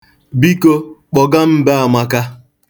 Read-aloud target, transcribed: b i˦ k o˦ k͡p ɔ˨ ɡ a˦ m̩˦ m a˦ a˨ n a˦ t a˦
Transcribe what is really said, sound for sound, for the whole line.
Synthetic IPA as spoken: b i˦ k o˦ k͡p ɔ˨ ɡ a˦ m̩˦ b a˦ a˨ m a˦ k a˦

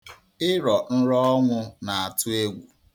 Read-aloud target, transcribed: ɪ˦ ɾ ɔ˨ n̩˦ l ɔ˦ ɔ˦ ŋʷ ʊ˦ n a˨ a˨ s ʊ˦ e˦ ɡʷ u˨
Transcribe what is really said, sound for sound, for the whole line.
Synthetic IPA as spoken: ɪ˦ ɾ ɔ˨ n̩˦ ɾ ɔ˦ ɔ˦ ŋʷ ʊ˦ n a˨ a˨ t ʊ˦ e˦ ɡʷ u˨

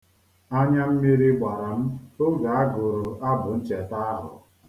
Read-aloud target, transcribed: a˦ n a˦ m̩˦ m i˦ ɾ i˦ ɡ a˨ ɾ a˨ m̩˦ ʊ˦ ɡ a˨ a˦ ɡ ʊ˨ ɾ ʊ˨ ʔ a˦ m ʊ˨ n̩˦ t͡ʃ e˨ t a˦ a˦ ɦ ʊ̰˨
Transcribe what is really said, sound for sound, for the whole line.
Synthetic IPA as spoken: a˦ ɲ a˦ m̩˦ m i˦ ɾ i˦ ɡ͡b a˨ ɾ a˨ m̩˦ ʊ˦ ɡ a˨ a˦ ɡ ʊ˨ ɾ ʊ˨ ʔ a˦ b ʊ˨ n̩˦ t͡ʃ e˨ t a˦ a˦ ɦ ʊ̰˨

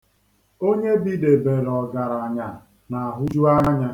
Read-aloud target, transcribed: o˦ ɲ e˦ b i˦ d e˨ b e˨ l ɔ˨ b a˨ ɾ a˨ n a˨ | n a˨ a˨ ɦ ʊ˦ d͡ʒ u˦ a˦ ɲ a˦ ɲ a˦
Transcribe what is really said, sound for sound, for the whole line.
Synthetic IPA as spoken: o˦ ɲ e˦ b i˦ d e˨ b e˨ ɾ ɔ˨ ɡ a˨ ɾ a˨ ɲ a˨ | n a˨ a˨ ɦ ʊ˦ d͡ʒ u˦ a˦ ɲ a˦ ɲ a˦

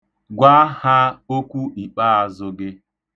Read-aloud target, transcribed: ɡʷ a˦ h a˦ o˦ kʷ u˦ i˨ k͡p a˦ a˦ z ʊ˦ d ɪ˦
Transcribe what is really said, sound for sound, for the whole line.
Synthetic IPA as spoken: ɡʷ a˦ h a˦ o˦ kʷ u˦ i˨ k͡p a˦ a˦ z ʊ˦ ɡ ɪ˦

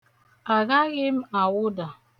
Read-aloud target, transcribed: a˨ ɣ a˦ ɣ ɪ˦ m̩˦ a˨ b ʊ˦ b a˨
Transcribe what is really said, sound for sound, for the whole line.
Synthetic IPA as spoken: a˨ ɣ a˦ ɣ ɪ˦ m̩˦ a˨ w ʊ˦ d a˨

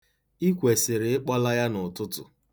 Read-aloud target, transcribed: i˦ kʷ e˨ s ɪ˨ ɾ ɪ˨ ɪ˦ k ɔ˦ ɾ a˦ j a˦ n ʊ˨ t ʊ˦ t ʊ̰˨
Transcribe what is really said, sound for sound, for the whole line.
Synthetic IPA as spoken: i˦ kʷ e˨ s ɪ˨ ɾ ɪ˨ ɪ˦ k͡p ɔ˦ l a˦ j a˦ n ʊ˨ t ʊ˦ t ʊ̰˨

